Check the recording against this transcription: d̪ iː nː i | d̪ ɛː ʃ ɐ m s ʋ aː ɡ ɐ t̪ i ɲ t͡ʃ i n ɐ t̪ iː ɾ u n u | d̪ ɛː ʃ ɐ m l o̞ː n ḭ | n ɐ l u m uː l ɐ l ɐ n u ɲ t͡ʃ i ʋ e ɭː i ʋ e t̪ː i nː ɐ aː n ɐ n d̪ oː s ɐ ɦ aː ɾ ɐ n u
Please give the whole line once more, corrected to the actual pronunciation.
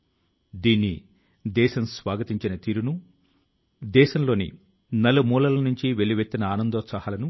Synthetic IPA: d̪ iː nː i | d̪ ɛː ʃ ɐ m s ʋ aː ɡ ɐ t̪ i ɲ t͡ʃ i n ɐ t̪ iː ɾ u n u | d̪ ɛː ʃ ɐ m l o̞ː n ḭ | n ɐ l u m uː l ɐ l ɐ n u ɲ t͡ʃ i ʋ e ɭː i ʋ e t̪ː i n ɐ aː n ɐ n d̪ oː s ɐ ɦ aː l ɐ n u